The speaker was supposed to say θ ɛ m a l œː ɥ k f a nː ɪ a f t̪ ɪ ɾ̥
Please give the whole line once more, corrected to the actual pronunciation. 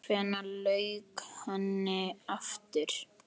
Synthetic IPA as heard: f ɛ n a l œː ɥ k h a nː ɪ a f t̪ ɪ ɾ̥